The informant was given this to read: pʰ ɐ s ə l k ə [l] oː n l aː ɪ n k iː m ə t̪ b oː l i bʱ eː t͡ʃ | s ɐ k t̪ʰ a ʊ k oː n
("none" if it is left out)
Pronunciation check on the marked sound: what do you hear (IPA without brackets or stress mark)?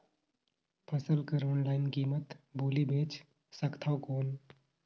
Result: ɾ